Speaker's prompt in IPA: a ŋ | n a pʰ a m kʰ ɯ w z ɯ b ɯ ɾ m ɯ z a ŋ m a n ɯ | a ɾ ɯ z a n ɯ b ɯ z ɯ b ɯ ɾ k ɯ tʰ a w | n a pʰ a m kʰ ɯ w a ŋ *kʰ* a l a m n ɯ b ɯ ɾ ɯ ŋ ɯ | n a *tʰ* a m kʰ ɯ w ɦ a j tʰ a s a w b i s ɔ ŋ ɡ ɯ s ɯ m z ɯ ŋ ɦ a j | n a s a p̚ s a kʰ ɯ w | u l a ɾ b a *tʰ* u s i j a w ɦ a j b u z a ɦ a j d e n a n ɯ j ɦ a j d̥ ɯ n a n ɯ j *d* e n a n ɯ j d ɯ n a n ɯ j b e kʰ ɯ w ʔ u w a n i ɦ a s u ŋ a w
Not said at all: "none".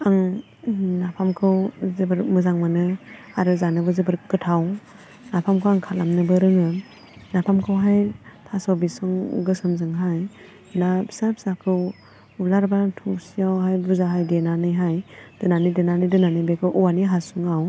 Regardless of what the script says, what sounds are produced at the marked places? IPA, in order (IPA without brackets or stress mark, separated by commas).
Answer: kʰ, pʰ, tʰ, d